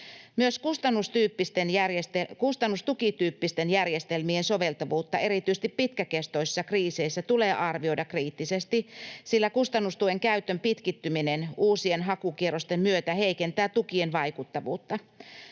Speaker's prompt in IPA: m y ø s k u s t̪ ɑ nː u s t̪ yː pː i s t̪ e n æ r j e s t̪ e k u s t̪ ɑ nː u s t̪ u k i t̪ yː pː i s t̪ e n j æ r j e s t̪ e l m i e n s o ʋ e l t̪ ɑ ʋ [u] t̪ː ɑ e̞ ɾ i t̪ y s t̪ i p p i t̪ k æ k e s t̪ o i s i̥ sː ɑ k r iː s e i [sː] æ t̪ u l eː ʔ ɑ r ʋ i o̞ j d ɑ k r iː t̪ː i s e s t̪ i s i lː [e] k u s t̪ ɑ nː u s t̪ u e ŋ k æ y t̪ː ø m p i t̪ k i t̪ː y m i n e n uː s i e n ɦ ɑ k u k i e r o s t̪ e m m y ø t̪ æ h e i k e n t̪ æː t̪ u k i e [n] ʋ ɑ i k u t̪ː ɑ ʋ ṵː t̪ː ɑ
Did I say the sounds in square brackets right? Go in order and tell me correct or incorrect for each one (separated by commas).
incorrect, correct, incorrect, correct